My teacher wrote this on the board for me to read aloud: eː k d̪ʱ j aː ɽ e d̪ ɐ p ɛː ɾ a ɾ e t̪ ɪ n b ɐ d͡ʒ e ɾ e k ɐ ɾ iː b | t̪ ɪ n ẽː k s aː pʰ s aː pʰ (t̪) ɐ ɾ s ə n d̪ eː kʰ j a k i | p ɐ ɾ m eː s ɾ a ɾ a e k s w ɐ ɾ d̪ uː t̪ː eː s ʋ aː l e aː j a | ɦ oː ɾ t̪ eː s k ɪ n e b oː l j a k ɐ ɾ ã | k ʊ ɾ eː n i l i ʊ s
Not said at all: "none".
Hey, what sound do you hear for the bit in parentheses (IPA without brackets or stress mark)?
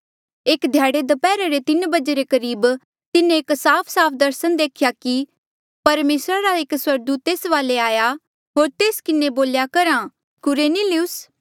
d̪